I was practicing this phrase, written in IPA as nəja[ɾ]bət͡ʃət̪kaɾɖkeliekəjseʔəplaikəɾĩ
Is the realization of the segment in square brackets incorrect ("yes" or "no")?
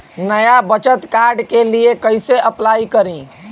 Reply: yes